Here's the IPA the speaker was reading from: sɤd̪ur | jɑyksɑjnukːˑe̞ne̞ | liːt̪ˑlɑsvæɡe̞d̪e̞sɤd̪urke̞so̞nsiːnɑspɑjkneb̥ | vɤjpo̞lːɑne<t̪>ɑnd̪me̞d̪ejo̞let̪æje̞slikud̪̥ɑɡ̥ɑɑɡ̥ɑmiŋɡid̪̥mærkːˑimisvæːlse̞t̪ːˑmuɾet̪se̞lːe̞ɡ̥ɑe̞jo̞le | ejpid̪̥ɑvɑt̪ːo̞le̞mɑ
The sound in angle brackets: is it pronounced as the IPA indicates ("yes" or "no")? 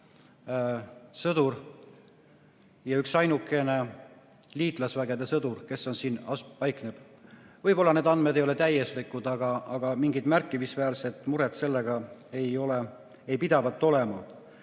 no